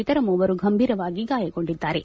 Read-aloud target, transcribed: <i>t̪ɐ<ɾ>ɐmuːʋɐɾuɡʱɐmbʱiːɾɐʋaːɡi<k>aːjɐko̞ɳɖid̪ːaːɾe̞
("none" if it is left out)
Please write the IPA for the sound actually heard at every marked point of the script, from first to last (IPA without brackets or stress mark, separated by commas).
i, ɾ, ɡ